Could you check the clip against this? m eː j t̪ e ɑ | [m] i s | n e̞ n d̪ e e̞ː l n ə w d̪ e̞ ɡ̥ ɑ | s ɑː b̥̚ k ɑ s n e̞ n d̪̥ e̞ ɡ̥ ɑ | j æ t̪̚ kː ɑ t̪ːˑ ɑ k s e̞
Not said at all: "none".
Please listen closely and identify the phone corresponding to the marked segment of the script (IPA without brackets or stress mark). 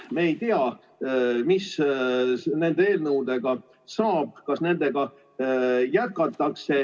m